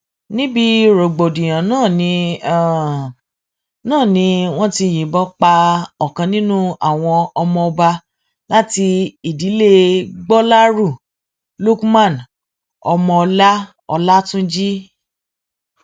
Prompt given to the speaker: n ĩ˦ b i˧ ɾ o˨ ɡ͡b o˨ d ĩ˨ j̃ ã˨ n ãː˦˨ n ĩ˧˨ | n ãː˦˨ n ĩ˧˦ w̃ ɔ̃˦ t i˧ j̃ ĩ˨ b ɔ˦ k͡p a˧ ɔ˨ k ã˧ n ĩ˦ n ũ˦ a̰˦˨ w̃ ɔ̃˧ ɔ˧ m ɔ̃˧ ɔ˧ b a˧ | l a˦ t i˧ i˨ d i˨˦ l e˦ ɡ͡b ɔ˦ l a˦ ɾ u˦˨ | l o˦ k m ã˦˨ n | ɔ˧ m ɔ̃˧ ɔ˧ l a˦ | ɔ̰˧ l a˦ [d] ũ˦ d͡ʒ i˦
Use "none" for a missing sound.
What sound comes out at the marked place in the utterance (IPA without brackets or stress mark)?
t